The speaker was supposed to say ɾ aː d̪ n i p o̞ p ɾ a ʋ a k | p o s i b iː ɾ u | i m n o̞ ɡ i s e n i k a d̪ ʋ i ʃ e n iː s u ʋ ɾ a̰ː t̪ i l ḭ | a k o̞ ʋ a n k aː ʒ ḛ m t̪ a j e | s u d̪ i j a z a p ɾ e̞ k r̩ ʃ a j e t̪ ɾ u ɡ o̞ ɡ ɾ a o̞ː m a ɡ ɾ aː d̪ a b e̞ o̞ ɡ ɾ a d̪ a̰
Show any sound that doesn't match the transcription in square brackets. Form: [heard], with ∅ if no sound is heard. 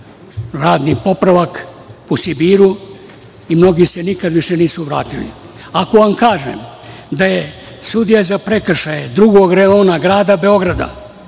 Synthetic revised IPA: ɾ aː d̪ n i p o̞ p ɾ a ʋ a k | p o s i b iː ɾ u | i m n o̞ ɡ i s e n i k a d̪ ʋ i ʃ e n iː s u ʋ ɾ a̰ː t̪ i l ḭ | a k o̞ ʋ a [m] k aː ʒ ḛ m [d̪] a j e | s u d̪ i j a z a p ɾ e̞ k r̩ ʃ a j e [d̪] ɾ u ɡ o̞ ɡ ɾ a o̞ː [n] a ɡ ɾ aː d̪ a b e̞ o̞ ɡ ɾ a d̪ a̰